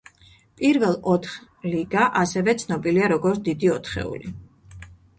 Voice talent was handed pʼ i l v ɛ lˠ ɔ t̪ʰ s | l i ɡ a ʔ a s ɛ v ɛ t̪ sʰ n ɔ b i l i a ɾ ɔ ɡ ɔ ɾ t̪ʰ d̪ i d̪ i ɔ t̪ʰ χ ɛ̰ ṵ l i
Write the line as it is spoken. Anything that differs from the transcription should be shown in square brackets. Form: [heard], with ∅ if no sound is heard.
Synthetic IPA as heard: pʼ i [ɾ] v ɛ lˠ ɔ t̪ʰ [χ] | l i ɡ a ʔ a s ɛ v ɛ t̪ sʰ n ɔ b i l i a ɾ ɔ ɡ ɔ ɾ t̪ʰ d̪ i d̪ i ɔ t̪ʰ χ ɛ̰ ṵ l i